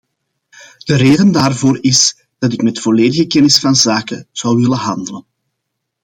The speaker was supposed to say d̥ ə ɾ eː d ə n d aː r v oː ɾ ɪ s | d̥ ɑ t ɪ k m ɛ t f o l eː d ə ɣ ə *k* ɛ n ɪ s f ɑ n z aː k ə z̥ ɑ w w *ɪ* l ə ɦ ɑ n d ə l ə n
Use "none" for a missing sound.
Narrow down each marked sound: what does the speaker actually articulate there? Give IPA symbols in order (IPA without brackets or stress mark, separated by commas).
k, ɪ